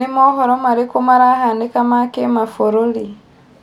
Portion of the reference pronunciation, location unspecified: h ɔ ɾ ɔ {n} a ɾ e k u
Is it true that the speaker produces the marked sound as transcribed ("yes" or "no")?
no